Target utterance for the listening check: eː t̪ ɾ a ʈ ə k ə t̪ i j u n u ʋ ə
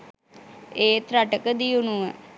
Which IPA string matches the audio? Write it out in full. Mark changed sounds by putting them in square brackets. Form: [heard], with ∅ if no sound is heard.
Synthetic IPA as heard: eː t̪ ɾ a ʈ ə k ə [d̪] i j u n u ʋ ə